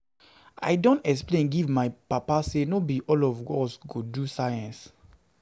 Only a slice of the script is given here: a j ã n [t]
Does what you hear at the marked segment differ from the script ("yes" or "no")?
yes